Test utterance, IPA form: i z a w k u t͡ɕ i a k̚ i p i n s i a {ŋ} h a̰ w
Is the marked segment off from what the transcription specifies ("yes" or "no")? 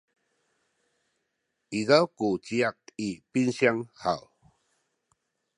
no